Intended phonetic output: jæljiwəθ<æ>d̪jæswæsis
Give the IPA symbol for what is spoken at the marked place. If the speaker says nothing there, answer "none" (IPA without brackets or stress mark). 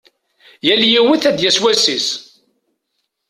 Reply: æ